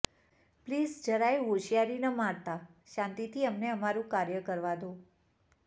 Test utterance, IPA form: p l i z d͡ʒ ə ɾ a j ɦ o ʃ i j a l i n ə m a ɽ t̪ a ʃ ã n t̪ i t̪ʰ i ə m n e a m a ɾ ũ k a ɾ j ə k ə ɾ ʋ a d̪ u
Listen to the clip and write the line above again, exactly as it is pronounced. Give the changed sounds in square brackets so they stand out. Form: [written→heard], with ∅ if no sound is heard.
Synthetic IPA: p l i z d͡ʒ ə ɾ a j ɦ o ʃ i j a [l→ɾ] i n ə m a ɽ t̪ a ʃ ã n t̪ i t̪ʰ i ə m n e [a→ə] m a ɾ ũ k a ɾ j ə k ə ɾ ʋ a d̪ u